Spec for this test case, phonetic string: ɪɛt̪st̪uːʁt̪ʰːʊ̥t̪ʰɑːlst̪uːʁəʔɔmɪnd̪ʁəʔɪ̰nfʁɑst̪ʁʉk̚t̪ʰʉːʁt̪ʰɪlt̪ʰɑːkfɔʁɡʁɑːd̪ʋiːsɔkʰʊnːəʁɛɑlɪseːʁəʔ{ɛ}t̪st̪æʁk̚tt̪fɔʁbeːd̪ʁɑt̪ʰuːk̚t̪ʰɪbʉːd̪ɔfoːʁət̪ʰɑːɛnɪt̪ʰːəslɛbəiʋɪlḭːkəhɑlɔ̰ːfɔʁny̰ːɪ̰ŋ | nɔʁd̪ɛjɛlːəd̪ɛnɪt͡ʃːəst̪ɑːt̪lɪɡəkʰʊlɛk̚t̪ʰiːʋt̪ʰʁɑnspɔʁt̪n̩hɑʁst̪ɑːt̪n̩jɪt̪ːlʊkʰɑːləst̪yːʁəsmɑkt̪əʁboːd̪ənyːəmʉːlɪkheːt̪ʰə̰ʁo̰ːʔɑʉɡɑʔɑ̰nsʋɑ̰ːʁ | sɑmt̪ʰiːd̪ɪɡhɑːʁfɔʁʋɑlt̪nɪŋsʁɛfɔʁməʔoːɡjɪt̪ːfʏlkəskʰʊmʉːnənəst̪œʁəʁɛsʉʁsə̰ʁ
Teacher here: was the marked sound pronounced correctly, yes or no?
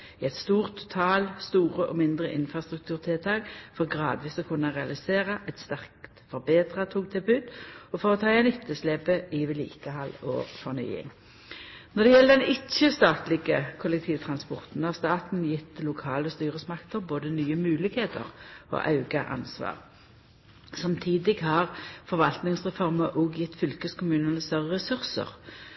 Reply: yes